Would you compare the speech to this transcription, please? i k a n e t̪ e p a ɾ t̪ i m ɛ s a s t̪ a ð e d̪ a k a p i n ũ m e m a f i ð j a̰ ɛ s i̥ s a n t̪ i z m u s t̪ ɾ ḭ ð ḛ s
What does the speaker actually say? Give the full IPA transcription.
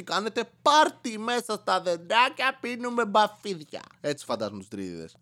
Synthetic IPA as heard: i k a n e t̪ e p a ɾ t̪ i m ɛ s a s t̪ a ð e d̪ a k a p i n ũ m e b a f i ð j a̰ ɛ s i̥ f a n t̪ a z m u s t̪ ɾ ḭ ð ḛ s